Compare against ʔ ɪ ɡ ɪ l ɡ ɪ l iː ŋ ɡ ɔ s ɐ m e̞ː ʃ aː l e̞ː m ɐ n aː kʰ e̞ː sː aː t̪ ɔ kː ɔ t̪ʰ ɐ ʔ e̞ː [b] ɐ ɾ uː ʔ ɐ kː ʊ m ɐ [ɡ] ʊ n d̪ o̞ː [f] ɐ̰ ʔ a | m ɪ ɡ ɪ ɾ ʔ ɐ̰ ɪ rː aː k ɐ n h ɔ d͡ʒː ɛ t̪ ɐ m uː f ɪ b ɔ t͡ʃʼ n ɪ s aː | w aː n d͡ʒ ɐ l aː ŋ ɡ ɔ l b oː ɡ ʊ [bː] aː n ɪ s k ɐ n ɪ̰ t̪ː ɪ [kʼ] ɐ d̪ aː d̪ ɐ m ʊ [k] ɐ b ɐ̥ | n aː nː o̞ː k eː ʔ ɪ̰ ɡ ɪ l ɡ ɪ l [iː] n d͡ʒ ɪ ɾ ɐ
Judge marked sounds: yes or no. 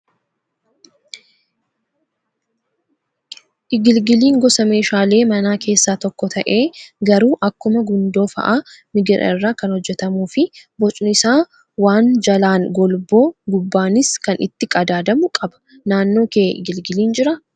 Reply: no, yes, yes, yes, yes, no, yes

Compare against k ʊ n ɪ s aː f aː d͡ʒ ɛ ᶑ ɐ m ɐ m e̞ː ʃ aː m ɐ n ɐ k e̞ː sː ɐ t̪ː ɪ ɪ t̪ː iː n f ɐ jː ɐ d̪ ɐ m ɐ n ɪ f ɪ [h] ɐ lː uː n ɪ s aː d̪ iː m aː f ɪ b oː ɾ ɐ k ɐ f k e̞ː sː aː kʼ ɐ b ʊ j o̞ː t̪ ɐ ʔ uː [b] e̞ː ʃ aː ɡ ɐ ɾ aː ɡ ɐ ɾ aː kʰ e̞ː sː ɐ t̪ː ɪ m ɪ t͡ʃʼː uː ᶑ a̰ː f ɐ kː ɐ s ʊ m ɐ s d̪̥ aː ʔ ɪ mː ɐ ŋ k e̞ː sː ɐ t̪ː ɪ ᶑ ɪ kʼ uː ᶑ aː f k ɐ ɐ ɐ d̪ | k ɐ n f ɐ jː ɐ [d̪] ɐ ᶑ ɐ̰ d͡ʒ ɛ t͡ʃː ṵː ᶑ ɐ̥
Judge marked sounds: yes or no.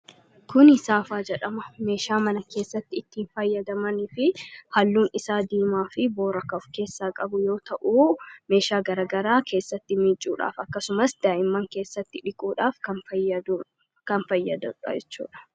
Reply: yes, no, yes

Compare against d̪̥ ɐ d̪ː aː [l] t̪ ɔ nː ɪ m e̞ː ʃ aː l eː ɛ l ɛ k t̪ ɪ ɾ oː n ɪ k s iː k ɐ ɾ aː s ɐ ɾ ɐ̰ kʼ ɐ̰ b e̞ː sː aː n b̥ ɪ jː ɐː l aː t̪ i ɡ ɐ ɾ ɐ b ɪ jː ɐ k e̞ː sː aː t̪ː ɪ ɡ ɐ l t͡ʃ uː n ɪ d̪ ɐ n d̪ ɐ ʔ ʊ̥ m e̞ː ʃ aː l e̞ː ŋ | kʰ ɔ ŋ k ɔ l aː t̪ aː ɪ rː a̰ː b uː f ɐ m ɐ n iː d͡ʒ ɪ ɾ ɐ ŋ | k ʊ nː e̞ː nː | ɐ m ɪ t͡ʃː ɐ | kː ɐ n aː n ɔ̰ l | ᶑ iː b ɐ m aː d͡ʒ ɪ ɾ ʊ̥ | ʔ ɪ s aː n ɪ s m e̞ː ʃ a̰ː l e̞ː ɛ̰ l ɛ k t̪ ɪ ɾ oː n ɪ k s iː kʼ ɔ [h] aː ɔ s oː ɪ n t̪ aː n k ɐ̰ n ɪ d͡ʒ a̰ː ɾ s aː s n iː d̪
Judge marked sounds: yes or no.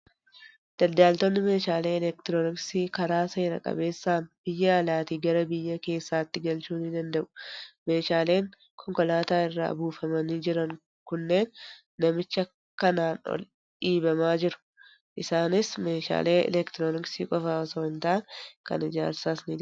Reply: yes, no

